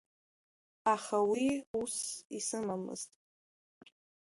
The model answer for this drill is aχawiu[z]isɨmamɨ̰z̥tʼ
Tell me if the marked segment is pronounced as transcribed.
no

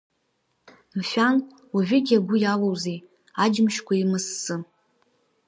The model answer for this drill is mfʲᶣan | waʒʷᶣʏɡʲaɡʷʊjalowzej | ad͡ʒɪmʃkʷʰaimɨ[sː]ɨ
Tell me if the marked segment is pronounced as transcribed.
yes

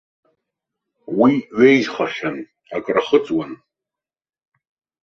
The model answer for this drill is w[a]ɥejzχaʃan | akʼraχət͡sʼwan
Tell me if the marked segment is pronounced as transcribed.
no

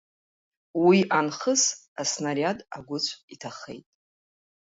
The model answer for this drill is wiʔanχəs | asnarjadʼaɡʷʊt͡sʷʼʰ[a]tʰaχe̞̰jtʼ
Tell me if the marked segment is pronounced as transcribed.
no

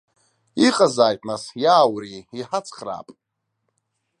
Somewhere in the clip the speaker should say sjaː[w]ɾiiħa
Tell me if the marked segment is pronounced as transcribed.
yes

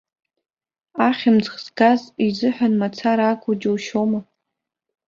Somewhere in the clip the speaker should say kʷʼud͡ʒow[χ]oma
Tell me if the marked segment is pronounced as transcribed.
no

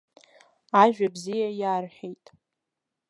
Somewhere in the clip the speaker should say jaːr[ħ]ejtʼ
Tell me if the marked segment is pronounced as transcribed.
yes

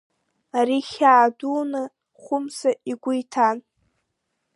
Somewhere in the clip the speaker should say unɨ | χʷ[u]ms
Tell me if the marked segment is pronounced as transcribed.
no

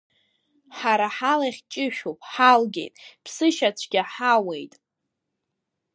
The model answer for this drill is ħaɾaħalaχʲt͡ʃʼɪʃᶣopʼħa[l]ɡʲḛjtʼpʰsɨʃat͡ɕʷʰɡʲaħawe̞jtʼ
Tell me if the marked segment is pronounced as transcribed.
yes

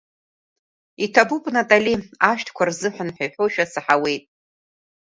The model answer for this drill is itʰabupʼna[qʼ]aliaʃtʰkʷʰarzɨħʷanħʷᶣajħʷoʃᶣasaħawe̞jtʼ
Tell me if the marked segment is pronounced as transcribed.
no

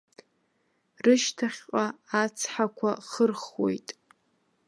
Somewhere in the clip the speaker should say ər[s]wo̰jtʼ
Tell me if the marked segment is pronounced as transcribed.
no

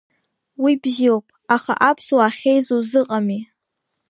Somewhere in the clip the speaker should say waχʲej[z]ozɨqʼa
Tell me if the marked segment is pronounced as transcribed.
yes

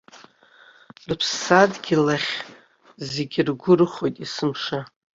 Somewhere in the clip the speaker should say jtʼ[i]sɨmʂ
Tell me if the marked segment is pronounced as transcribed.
yes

